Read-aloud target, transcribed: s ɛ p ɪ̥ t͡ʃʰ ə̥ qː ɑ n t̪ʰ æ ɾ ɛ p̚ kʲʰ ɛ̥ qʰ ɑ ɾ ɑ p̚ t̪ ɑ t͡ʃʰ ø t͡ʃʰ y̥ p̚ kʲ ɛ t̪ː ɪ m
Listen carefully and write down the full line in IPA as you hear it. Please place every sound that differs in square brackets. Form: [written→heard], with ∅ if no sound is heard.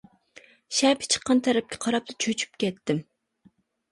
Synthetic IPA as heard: [s→ʃ] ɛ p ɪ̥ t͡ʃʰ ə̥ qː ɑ n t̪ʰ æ ɾ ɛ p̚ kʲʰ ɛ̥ qʰ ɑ ɾ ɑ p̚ t̪ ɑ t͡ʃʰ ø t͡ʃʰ y̥ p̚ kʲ ɛ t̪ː ɪ m

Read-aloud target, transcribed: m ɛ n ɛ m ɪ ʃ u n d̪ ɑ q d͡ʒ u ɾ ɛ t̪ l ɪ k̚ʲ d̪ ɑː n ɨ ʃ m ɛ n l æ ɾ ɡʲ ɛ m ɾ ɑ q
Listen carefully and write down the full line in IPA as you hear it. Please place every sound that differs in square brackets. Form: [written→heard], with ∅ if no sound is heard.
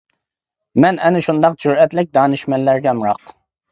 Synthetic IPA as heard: m ɛ n ɛ [m→n] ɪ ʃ u n d̪ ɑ q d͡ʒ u ɾ ɛ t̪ l ɪ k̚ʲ d̪ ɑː n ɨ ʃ m ɛ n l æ ɾ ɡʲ ɛ m ɾ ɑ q

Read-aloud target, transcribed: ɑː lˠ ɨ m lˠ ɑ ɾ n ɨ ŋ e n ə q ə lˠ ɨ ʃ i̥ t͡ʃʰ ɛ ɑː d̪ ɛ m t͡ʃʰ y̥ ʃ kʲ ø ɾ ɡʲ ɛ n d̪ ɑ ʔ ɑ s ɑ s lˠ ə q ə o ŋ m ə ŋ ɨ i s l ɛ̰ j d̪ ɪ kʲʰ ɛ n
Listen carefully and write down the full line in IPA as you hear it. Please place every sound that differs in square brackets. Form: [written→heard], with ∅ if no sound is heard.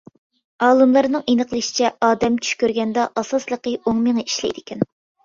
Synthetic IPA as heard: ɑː lˠ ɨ m lˠ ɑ ɾ n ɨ ŋ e n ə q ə lˠ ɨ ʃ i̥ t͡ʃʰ ɛ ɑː d̪ ɛ m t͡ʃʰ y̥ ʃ kʲ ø ɾ ɡʲ ɛ n d̪ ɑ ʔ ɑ s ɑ s lˠ ə q ə o ŋ m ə ŋ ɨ i [s→ʃ] l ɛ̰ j d̪ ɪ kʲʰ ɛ n

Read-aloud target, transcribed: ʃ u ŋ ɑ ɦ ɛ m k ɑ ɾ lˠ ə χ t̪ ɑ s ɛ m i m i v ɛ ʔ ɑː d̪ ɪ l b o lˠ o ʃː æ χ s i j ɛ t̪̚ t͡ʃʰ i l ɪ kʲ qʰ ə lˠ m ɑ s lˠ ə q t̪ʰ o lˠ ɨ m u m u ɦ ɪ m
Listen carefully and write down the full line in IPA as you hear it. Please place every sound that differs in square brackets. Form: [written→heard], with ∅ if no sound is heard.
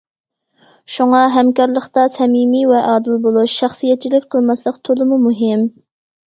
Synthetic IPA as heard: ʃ u ŋ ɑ ɦ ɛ m k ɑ ɾ lˠ ə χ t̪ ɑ s ɛ m i m i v ɛ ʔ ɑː d̪ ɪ l b o lˠ [o→u] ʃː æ χ s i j ɛ t̪̚ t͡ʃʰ i l ɪ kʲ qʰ ə lˠ m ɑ s lˠ ə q t̪ʰ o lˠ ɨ m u m u ɦ ɪ m

